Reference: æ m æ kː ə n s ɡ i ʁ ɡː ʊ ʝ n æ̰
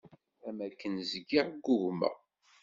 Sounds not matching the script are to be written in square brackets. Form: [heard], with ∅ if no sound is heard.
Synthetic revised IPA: æ m æ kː ə n [z] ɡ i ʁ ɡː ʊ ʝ [m] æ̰